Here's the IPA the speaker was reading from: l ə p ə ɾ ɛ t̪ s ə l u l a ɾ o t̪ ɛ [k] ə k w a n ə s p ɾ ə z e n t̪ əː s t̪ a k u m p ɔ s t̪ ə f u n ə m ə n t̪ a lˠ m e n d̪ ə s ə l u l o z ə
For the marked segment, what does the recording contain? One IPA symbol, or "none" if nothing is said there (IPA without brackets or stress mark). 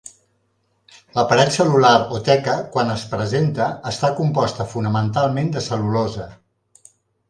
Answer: k